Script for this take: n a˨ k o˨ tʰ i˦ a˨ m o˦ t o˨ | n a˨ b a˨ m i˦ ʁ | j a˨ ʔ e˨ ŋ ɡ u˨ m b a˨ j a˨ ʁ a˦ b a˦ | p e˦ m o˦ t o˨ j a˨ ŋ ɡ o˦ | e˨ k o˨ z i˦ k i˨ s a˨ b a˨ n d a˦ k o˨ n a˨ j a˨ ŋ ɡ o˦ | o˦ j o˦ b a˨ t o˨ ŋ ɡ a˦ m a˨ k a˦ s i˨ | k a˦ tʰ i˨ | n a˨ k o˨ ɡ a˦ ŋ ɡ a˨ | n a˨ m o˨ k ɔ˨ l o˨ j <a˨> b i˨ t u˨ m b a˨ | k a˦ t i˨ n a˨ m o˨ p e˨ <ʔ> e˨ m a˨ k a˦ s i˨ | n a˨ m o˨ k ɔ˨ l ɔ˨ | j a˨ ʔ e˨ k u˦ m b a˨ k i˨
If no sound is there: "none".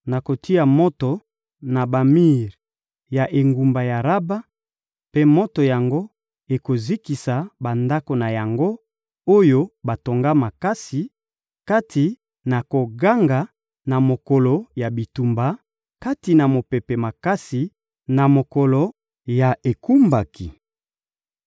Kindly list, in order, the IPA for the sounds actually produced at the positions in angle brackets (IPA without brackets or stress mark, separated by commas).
a˨, p